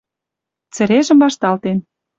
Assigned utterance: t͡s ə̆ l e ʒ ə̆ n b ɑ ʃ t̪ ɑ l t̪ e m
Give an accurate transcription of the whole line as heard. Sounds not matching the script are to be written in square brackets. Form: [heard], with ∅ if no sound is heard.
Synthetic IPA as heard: t͡s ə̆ [ɾ] e ʒ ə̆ [m] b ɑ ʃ t̪ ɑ l t̪ e [n]